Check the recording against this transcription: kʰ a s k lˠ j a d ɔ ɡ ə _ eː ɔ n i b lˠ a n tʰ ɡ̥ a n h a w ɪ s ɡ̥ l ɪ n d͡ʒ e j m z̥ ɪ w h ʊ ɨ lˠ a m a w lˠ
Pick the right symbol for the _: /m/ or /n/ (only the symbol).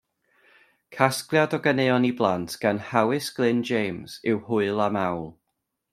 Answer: n